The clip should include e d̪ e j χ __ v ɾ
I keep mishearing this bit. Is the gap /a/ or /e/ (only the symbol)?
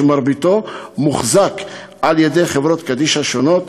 e